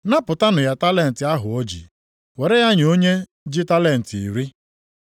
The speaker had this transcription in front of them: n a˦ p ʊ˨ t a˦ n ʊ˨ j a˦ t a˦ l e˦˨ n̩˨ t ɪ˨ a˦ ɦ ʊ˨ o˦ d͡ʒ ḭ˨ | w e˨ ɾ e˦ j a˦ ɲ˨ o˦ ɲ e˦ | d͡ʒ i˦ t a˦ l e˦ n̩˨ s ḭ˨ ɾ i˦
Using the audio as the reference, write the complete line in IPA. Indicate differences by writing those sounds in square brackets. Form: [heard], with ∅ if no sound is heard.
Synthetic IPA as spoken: n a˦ p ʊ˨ t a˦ n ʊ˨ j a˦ t a˦ l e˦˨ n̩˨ t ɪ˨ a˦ ɦ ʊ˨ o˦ d͡ʒ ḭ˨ | w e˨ ɾ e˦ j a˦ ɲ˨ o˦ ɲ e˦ | d͡ʒ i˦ t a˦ l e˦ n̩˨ [t] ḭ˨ ɾ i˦

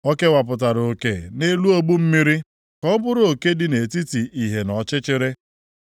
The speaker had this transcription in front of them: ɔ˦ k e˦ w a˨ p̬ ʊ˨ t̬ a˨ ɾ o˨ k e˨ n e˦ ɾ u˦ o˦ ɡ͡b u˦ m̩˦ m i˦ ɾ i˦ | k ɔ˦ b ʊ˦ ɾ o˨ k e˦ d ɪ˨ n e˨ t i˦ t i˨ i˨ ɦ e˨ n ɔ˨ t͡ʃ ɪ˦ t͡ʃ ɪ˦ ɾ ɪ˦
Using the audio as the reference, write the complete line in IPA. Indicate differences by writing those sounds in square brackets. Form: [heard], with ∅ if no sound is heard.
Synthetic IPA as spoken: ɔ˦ k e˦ w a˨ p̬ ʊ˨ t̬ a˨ ɾ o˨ k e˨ n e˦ [l] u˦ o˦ ɡ͡b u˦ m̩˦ m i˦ ɾ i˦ | k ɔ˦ b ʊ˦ ɾ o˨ k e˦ d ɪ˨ n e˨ t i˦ t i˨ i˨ ɦ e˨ n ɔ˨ t͡ʃ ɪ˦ t͡ʃ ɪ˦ ɾ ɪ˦

